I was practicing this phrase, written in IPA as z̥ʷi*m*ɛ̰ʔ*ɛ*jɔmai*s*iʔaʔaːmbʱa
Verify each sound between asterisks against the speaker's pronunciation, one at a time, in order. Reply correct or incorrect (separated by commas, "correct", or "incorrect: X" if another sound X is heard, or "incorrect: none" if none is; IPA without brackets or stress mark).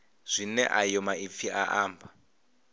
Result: incorrect: n, incorrect: a, incorrect: f